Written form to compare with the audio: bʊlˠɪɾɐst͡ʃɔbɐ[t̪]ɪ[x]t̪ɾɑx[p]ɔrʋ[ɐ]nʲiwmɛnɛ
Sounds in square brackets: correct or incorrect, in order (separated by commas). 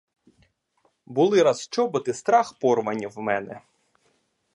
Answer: correct, incorrect, correct, correct